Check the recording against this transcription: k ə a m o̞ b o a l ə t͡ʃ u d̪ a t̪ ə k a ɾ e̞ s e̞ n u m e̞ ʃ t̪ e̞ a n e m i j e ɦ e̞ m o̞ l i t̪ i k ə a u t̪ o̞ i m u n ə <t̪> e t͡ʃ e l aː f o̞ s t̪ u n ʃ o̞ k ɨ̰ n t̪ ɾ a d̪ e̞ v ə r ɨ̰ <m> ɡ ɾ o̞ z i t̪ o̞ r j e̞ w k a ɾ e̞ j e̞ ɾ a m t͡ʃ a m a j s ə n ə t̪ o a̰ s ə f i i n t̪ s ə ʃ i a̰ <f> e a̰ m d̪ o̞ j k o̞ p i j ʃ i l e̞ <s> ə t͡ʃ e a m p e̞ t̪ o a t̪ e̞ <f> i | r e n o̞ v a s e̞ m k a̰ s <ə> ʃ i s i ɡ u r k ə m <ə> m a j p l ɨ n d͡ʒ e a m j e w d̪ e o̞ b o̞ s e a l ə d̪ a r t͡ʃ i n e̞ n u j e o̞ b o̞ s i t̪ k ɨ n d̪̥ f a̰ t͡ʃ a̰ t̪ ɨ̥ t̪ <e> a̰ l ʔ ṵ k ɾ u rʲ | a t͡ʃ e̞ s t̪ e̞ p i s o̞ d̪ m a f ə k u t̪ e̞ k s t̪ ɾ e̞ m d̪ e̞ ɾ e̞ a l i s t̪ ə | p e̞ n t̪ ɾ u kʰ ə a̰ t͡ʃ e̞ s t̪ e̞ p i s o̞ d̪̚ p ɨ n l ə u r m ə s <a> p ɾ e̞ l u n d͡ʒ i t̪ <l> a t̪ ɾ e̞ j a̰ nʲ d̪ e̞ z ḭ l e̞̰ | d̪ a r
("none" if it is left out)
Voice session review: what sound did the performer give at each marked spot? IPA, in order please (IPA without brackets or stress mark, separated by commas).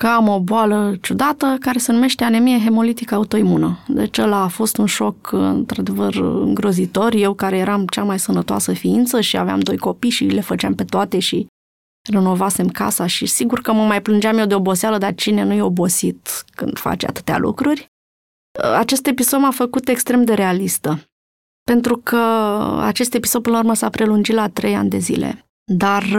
d̪, ŋ, v, f, ʃ, a, ə, e, a, l